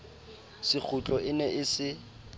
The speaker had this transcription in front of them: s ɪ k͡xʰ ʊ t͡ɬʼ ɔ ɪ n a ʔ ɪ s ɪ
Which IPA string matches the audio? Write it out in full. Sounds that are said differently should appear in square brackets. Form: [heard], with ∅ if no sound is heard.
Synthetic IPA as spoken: s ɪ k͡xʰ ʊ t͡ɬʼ ɔ ɪ n [ɛ] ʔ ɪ s ɪ